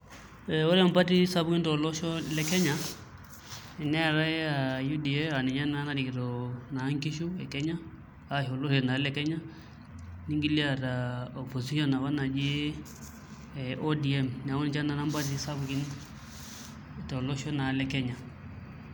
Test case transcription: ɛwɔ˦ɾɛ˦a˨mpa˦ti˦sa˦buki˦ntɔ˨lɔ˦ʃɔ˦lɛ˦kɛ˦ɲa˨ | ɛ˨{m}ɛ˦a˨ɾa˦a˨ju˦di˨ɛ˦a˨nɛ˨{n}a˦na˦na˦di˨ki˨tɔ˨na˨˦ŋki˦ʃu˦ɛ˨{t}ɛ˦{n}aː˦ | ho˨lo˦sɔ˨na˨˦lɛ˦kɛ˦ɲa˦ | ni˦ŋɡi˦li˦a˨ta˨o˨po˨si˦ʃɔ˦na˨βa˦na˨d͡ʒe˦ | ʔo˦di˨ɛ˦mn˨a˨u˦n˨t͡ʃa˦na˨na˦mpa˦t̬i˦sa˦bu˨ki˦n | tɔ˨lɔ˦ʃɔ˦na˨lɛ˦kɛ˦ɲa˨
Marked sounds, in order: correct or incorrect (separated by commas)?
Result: incorrect, incorrect, incorrect, incorrect